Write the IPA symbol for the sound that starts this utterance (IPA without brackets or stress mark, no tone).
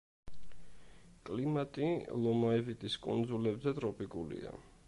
kʼ